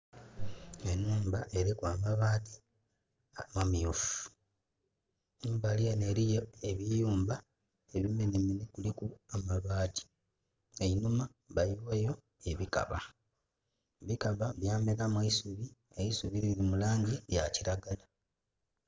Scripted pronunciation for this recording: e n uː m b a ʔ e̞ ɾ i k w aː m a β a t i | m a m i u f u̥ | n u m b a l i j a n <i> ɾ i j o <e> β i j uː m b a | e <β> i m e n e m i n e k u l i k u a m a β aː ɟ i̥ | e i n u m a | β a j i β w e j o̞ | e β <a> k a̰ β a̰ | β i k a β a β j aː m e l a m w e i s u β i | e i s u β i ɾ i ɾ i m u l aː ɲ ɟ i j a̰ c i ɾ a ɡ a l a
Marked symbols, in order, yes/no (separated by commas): no, yes, yes, no